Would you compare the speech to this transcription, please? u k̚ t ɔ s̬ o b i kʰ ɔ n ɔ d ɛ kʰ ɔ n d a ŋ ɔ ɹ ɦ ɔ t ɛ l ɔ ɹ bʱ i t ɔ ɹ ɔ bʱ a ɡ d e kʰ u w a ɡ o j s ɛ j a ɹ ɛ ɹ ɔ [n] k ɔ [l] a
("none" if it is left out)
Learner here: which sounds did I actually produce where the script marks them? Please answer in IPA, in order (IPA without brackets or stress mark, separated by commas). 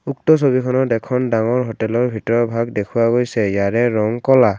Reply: ŋ, l